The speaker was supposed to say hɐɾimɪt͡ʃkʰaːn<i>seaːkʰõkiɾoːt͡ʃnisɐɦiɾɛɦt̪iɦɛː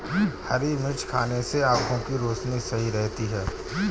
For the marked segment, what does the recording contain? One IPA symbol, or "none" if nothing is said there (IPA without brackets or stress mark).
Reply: e